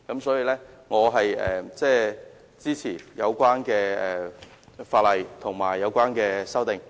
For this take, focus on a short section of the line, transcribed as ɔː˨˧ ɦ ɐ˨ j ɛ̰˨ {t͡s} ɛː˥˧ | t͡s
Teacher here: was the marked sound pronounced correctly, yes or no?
yes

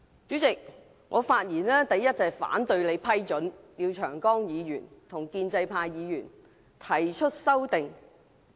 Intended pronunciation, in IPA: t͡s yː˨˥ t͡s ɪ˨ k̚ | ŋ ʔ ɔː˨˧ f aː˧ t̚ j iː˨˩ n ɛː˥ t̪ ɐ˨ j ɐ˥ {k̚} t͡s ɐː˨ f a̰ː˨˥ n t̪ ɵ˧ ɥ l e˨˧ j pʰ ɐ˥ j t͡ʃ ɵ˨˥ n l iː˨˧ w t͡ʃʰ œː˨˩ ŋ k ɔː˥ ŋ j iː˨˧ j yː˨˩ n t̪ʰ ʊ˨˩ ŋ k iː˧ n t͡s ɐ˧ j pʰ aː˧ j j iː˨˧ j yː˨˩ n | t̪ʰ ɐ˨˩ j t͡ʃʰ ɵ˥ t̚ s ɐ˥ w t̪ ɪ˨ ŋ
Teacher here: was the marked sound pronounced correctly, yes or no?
no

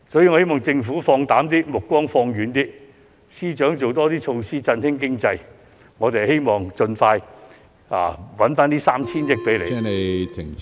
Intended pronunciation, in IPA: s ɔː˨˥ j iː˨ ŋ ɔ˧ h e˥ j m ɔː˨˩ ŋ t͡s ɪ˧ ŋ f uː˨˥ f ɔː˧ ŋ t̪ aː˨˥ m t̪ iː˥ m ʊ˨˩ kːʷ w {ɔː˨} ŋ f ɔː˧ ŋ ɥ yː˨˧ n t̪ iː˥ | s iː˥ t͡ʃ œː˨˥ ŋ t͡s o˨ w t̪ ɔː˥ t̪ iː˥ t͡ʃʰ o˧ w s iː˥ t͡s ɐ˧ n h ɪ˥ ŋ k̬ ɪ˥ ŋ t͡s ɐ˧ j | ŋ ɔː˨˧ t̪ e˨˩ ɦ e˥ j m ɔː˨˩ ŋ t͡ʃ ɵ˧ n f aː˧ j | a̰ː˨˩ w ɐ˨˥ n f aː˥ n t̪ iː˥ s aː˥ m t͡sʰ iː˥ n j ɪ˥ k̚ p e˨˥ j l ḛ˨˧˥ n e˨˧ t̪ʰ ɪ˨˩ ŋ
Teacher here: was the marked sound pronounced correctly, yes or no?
no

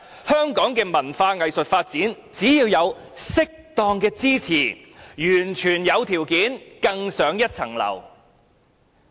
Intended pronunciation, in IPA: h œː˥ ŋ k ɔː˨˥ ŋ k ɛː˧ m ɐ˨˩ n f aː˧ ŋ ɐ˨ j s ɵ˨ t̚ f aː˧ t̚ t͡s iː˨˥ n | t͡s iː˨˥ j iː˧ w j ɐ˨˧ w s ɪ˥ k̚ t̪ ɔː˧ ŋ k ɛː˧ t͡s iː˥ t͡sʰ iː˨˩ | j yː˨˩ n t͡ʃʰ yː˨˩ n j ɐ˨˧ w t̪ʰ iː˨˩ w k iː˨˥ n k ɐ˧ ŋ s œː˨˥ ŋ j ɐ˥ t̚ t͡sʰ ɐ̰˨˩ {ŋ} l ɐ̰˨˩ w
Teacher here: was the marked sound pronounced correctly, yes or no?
yes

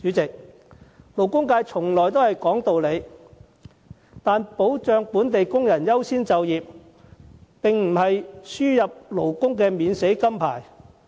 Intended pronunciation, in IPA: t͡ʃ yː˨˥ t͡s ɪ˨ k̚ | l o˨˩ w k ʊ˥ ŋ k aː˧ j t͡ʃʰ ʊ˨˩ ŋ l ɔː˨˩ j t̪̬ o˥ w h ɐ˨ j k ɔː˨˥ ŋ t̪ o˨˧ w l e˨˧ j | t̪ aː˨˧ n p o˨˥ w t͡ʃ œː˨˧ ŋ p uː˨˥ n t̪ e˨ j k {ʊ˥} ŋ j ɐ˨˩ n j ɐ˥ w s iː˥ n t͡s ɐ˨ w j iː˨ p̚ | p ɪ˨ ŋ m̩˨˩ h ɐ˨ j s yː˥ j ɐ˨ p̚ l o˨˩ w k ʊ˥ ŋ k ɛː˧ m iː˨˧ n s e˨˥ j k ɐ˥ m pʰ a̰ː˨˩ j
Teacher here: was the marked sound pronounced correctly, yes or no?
yes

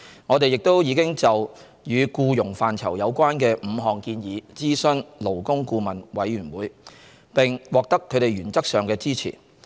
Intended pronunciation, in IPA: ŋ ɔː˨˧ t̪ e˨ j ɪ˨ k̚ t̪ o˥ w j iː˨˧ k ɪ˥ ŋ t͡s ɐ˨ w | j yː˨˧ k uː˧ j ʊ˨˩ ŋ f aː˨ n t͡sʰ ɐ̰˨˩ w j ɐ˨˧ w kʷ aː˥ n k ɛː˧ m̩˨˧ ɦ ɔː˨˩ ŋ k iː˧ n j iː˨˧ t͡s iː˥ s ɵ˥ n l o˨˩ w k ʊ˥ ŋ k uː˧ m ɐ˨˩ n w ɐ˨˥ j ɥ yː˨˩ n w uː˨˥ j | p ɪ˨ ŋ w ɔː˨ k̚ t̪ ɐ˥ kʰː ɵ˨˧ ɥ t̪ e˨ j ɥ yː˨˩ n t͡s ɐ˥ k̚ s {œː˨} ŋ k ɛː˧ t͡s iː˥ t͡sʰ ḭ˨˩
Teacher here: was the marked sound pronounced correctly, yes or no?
yes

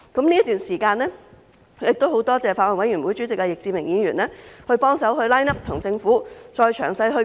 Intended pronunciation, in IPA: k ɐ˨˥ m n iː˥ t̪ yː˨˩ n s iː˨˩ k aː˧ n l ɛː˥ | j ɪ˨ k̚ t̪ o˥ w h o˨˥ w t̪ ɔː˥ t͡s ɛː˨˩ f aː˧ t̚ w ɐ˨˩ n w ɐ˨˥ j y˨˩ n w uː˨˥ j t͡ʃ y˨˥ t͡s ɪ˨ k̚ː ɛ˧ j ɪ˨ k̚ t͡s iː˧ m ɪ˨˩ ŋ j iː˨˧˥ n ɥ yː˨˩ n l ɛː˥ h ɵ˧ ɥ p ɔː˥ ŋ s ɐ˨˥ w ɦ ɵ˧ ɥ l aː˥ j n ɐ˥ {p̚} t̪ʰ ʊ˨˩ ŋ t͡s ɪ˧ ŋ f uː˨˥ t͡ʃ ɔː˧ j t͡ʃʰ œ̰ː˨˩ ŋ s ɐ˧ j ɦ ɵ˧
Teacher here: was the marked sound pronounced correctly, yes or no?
yes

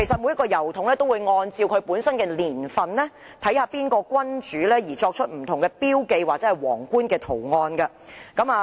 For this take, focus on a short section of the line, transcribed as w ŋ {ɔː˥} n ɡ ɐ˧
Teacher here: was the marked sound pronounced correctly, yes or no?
no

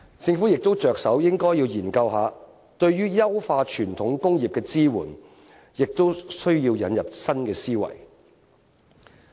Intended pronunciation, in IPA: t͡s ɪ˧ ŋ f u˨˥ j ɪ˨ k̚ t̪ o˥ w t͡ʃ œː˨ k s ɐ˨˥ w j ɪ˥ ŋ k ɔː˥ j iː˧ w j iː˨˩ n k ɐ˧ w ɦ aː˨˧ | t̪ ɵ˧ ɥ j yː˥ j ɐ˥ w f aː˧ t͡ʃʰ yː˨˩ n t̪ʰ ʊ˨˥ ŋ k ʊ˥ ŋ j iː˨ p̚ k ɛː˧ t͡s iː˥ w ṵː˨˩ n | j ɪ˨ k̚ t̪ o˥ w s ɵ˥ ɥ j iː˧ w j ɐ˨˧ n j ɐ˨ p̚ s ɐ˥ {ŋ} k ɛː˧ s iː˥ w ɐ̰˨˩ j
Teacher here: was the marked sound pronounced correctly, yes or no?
no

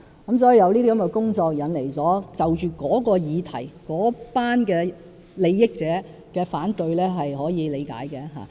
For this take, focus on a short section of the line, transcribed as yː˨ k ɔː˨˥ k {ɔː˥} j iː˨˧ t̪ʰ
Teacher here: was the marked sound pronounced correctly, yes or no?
no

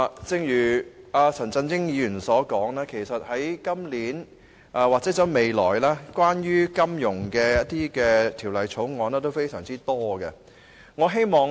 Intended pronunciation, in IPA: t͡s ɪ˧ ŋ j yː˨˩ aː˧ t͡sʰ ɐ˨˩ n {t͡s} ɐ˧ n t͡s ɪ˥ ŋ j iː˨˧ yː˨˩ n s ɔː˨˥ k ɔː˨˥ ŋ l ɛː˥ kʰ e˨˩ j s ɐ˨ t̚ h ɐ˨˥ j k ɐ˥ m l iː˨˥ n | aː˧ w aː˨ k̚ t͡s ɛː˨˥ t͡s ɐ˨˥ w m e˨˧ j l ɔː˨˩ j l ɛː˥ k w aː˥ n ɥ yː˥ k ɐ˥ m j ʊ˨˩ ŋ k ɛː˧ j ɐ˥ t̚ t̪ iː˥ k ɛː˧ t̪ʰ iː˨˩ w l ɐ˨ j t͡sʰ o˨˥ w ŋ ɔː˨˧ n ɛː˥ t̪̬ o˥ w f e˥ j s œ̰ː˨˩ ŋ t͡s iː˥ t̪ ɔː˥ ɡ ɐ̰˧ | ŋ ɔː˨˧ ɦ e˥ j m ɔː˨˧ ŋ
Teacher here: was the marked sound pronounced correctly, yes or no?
yes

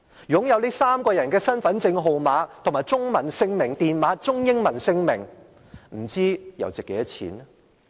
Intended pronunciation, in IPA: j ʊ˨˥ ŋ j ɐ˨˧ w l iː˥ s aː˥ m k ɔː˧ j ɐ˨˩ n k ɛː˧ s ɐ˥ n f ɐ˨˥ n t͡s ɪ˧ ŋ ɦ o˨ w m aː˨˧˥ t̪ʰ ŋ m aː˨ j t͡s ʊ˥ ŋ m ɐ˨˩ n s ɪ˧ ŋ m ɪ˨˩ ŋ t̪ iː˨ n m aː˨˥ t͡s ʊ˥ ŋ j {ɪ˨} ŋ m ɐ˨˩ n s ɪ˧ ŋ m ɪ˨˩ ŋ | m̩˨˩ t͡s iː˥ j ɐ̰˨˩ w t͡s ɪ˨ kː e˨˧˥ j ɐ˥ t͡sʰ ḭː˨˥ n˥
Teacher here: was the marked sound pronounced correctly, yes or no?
no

